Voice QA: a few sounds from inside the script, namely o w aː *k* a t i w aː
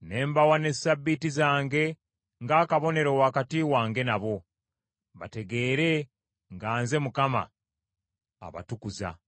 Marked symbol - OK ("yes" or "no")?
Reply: yes